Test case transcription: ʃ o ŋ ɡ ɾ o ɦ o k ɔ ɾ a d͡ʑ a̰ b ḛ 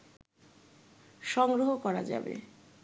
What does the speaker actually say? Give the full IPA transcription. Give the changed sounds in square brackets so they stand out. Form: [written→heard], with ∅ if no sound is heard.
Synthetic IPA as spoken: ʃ [o→ɔ] ŋ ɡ ɾ o ɦ o k ɔ ɾ a d͡ʑ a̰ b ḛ